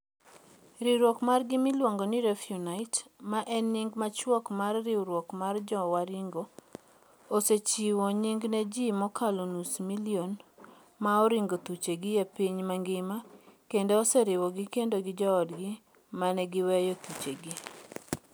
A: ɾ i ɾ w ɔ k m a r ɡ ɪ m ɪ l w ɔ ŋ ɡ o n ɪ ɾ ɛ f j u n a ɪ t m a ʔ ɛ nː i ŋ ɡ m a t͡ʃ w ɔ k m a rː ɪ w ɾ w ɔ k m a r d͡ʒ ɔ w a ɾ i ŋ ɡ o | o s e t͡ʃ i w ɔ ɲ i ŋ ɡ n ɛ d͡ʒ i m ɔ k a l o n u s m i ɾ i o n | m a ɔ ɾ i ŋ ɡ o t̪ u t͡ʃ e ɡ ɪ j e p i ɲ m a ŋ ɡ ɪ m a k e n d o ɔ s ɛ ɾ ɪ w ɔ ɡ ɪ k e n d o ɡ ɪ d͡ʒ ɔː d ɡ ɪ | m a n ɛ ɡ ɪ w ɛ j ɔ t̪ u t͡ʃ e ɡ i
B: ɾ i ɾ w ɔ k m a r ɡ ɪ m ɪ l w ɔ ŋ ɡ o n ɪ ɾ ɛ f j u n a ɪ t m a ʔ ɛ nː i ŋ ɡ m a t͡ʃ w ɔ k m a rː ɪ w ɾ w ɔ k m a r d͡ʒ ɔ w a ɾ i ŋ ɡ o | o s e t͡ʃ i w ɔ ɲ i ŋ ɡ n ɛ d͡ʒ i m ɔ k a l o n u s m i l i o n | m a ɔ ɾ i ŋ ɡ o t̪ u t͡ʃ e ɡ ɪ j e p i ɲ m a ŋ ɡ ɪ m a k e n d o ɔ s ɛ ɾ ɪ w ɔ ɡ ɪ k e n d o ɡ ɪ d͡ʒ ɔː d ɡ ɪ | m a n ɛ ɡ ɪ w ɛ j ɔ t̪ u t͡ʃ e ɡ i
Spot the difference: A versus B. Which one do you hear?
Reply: B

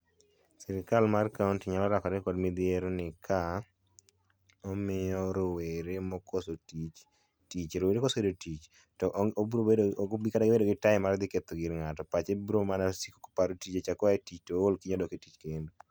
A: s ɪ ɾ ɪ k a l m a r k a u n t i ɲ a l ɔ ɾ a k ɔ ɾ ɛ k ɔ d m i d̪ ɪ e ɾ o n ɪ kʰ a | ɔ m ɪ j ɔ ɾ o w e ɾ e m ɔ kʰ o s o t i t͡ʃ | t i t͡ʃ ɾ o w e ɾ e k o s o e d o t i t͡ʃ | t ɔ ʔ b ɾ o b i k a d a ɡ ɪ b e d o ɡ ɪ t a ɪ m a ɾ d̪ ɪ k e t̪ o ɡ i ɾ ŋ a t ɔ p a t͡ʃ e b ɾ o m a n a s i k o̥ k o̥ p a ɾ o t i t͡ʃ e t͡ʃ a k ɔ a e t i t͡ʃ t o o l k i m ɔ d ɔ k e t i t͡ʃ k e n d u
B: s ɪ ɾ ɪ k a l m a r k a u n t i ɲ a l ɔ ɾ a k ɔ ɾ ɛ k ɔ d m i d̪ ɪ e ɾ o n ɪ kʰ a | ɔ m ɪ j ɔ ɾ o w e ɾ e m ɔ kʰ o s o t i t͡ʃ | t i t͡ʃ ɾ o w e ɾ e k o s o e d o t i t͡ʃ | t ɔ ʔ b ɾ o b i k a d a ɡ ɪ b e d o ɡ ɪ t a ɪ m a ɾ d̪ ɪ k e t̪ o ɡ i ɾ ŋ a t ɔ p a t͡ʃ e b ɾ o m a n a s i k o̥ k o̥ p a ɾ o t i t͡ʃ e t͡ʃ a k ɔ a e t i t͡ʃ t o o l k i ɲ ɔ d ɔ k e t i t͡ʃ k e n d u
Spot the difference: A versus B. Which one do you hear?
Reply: B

